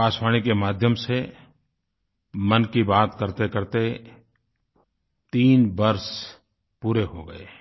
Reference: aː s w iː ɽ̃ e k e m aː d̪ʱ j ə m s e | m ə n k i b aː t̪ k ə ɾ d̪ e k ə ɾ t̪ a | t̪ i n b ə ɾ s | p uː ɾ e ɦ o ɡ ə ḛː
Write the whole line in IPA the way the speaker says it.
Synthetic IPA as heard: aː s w aː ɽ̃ i k e m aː d̪ʱ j ə m s e | m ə n k i b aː t̪ k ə ɾ t̪ e k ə ɾ t̪ e | t̪ iː n b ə ɾ s | p uː ɾ e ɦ o ɡ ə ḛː